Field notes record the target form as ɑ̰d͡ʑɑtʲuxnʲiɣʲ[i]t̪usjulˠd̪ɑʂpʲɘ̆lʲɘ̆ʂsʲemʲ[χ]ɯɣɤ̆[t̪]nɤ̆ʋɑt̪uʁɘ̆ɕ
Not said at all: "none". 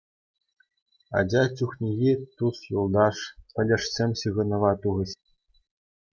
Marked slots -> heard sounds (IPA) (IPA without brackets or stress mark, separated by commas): i, ɕ, none